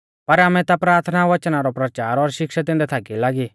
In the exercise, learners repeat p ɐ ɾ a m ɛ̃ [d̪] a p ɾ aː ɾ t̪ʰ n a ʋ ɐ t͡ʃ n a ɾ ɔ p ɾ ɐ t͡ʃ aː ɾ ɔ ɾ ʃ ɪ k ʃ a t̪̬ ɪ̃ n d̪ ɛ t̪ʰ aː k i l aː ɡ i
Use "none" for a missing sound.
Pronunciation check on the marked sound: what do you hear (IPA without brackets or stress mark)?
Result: t̪